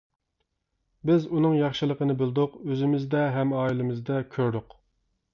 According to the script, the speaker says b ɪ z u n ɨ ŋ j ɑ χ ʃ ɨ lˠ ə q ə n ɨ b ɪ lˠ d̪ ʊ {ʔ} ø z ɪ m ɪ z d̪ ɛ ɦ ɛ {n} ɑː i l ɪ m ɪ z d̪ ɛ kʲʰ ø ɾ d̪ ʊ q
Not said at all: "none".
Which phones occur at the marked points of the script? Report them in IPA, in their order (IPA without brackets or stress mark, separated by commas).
q, m